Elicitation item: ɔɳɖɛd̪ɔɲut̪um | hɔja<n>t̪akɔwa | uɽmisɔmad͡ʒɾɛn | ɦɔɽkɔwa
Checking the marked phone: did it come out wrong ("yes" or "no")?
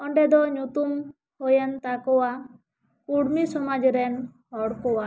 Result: no